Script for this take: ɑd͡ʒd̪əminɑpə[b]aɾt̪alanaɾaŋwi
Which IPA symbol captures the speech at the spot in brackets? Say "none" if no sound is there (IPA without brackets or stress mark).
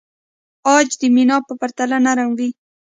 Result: p